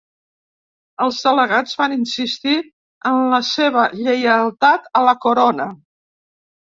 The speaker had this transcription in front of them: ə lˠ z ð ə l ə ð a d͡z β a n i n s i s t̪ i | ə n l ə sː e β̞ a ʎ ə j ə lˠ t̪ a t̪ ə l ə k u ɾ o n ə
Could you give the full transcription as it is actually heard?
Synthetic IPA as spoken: ə lˠ z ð ə l ə ɣ a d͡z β a n i n s i s t̪ i | ə n l ə s e β̞ ə ʎ ə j ə lˠ t̪ a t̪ ə l ə k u ɾ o n ə